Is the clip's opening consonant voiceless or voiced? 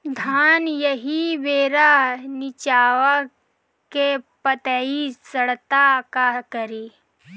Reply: voiced